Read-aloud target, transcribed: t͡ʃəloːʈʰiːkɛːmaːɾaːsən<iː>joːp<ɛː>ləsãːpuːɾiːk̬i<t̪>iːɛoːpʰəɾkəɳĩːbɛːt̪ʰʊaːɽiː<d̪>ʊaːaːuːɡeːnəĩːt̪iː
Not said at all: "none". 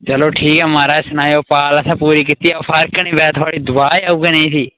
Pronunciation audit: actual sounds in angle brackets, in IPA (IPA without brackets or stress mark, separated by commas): aː, aː, t̪, d̪